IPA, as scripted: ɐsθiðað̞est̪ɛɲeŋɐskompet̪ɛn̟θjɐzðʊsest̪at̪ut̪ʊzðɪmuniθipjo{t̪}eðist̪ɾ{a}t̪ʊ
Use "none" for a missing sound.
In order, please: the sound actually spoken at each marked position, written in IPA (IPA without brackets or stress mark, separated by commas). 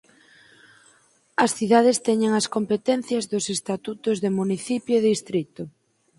none, i